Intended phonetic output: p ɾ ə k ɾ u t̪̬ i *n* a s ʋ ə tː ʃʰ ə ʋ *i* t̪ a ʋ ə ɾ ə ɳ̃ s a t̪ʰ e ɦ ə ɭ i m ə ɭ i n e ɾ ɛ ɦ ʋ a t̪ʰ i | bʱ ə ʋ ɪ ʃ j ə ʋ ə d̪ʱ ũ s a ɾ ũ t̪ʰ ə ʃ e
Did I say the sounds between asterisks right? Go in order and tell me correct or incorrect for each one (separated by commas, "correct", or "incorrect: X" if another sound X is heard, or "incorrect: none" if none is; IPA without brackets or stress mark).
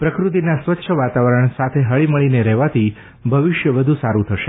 correct, incorrect: a